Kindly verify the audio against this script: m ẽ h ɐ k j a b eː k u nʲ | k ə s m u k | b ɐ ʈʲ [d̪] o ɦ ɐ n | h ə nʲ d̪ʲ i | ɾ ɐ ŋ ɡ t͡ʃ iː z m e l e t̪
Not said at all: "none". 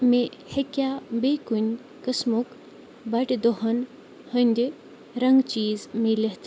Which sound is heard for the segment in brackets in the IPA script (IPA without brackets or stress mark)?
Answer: d̪